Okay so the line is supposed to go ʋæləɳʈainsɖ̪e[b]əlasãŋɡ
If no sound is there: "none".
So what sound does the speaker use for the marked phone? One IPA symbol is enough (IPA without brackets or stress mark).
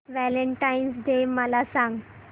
m